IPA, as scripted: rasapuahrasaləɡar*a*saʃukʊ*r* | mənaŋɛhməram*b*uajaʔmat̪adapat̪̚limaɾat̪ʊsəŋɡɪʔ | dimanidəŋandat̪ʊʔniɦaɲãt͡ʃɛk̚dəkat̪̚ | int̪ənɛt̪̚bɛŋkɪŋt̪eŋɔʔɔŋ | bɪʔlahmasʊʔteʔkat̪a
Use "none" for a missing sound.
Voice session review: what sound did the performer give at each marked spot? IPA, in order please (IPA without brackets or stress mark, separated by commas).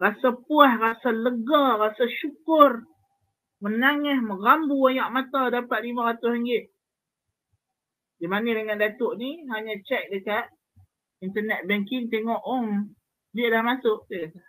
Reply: a, r, b